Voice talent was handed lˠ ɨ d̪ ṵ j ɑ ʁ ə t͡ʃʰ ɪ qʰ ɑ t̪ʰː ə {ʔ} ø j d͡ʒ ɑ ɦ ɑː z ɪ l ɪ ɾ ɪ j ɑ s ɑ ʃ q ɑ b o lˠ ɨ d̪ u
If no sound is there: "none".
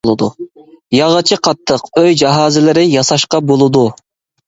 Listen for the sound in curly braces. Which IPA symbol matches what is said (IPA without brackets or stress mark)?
q